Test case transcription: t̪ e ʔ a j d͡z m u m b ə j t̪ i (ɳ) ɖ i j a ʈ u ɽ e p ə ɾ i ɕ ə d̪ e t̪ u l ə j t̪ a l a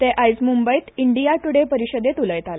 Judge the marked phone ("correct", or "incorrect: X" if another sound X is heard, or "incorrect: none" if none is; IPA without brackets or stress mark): correct